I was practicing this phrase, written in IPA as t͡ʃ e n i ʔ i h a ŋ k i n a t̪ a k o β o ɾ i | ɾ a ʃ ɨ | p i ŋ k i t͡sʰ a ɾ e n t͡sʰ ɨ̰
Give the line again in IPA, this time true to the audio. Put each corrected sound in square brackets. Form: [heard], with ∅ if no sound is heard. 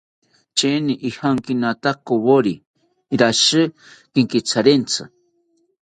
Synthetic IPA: t͡ʃ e n i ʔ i h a ŋ k i n a t̪ a k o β o ɾ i | ɾ a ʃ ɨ | [k] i ŋ k i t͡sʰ a ɾ e n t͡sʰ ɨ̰